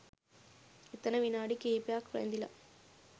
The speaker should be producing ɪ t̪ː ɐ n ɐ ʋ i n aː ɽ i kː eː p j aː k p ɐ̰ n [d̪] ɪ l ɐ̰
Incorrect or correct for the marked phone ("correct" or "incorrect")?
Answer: correct